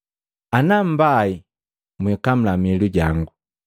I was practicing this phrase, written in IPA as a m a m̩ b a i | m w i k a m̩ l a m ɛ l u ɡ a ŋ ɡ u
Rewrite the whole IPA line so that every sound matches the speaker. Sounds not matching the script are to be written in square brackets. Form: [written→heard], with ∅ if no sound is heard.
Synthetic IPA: a [m→n] a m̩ b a i | m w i k a m̩ l a m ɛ l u [ɡ→ɟ] a ŋ ɡ u